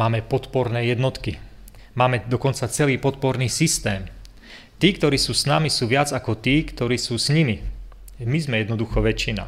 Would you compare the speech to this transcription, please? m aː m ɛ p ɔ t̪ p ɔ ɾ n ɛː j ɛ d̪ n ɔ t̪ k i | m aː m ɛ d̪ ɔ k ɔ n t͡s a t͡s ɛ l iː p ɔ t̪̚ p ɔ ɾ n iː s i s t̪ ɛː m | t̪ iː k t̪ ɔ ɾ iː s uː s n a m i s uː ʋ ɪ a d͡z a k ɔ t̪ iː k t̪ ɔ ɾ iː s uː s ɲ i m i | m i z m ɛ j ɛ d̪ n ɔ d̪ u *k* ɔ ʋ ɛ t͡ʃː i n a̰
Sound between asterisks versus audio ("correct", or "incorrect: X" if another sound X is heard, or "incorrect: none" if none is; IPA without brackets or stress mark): incorrect: x